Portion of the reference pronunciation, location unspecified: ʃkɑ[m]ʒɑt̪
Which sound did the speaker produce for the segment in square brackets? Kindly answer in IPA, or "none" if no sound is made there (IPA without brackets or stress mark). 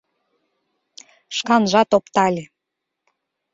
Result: n